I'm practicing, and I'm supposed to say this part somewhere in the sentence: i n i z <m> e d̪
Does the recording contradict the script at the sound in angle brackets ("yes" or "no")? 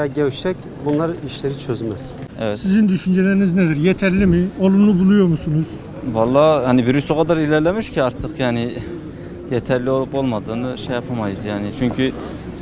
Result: yes